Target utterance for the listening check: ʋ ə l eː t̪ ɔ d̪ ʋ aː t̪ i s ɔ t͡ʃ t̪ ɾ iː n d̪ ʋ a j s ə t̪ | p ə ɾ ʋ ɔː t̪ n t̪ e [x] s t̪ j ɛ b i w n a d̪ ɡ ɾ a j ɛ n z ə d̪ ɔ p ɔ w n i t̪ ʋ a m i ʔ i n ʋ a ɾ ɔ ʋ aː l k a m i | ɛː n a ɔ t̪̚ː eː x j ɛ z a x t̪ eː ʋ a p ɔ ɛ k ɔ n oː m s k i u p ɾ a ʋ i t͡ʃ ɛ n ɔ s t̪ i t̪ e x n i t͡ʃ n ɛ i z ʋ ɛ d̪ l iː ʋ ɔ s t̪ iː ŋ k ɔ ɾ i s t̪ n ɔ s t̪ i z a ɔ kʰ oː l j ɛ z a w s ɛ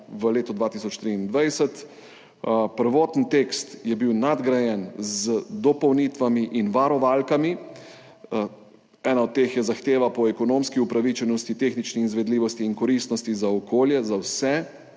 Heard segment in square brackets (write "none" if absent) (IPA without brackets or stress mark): k